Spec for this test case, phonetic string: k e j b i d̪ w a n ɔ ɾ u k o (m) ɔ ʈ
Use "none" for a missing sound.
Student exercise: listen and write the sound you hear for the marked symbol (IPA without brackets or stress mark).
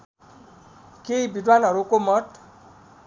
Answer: m